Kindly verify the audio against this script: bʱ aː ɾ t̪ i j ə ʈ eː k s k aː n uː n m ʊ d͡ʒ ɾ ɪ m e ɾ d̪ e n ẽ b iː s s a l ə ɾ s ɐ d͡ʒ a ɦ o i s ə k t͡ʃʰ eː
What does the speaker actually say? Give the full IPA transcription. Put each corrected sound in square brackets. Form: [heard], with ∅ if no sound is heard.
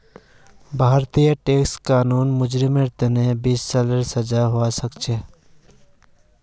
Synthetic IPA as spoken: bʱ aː ɾ t̪ i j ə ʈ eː k s k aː n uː n m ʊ d͡ʒ ɾ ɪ m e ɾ [t̪] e n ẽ b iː s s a l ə ɾ s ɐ d͡ʒ a ɦ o [a] s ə k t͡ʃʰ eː